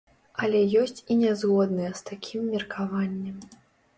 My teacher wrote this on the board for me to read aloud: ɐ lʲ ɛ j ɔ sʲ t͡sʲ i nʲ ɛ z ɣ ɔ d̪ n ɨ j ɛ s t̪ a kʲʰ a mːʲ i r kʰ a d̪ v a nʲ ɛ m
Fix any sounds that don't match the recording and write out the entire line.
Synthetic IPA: ɐ lʲ ɛ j ɔ sʲ t͡sʲ i nʲ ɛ z ɣ ɔ d̪ n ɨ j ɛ s t̪ a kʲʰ i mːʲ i r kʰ a v a nʲː ɛ m